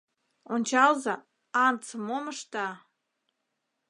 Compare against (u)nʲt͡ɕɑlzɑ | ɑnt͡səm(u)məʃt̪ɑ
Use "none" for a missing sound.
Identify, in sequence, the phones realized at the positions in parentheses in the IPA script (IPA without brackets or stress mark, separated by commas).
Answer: o, o